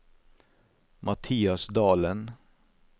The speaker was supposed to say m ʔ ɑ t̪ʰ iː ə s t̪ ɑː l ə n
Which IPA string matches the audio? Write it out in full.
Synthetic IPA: m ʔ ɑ t̪ʰ iː ɑ s d̪ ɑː l ə n